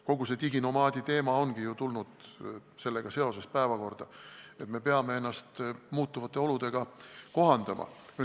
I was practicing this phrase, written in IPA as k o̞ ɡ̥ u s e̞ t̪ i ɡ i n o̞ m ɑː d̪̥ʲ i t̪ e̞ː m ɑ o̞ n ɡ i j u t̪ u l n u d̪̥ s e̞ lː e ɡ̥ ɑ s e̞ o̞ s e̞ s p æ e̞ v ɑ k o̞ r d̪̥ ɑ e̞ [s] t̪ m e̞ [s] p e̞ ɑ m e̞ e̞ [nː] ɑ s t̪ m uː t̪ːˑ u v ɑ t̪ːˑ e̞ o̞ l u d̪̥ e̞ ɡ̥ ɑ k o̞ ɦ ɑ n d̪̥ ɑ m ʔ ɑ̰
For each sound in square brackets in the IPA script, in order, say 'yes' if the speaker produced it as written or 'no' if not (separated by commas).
no, no, yes